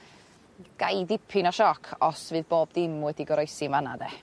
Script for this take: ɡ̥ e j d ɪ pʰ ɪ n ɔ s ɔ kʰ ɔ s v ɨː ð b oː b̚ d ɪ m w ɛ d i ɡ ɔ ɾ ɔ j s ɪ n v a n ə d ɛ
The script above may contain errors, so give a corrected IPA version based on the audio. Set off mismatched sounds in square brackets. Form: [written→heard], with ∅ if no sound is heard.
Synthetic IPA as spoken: ɡ̥ [e→a] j d ɪ pʰ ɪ n ɔ [s→ʃ] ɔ kʰ ɔ s v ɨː ð b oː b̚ d ɪ m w ɛ d i ɡ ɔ ɾ ɔ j s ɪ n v a n [ə→a] d ɛ